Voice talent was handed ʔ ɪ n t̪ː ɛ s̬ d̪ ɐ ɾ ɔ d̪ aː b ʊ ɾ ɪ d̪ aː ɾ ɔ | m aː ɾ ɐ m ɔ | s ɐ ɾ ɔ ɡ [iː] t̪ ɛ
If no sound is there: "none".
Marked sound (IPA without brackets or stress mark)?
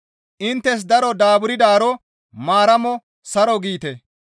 iː